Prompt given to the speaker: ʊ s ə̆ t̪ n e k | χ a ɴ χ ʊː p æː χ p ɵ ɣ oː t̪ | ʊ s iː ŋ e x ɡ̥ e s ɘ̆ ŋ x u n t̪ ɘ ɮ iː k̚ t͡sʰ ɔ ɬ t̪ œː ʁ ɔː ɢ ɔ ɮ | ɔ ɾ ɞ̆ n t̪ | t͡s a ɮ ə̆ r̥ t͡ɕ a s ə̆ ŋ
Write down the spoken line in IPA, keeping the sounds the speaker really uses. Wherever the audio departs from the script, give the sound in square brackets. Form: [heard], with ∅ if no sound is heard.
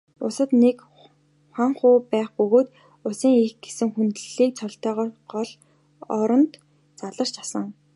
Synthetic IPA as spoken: ʊ s ə̆ t̪ n e k | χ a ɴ χ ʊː p æː χ p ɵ ɣ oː t̪ | ʊ s iː ŋ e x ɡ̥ e s ɘ̆ ŋ x u n t̪ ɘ ɮ iː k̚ t͡sʰ ɔ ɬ t̪ œː ʁ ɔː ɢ ɔ ɮ | ɔ ɾ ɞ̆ n t̪ | t͡s a ɮ ə̆ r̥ t͡ɕ a s ə̆ ŋ